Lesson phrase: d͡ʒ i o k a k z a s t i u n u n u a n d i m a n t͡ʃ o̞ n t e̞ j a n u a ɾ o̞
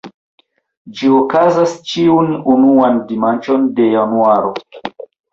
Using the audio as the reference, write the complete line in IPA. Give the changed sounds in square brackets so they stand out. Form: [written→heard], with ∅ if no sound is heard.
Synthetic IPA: d͡ʒ i o k a [k→∅] z a s [t→t͡ʃ] i u n u n u a n d i m a n t͡ʃ o̞ n [t→d] e̞ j a n u a ɾ o̞